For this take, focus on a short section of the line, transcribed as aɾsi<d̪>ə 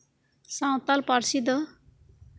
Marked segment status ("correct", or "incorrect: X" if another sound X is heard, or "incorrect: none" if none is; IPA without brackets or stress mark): correct